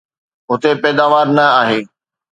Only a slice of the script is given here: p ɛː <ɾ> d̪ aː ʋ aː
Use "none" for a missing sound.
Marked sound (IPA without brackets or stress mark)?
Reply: none